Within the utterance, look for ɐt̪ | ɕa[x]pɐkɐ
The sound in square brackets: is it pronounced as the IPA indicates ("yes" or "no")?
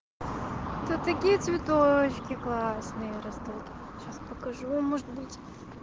no